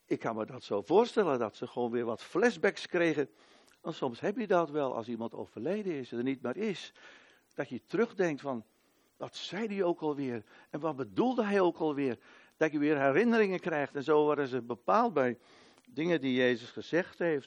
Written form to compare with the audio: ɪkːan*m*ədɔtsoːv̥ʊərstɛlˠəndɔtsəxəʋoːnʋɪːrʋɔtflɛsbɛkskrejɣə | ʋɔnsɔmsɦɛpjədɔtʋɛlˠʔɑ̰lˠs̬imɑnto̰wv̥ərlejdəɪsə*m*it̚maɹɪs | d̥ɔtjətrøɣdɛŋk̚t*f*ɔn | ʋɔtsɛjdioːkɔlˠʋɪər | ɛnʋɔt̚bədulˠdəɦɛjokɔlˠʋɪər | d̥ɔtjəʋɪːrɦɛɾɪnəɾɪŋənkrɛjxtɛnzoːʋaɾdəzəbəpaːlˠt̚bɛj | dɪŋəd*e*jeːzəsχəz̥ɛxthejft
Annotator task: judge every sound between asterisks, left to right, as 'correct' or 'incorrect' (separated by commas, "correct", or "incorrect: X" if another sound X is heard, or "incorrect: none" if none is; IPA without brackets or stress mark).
correct, incorrect: n, correct, incorrect: i